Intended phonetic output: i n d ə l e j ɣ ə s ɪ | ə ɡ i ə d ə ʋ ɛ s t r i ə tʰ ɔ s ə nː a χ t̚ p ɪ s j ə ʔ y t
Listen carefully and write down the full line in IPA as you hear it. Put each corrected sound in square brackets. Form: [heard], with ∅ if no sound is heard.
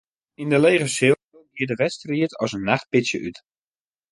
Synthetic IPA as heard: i n d ə l e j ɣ ə s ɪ | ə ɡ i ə d ə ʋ ɛ s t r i ə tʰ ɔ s ə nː a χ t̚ p ɪ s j ə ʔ y t